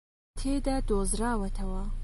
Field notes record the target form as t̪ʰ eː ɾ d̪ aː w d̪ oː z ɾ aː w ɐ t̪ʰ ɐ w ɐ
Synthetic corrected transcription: t̪ʰ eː d̪ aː d̪ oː z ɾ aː w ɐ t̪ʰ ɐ w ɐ